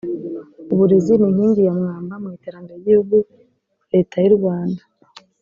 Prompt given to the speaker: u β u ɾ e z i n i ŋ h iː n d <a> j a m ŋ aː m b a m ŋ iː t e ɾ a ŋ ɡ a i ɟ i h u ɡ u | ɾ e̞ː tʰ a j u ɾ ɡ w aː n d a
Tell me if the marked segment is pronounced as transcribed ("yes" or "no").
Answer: no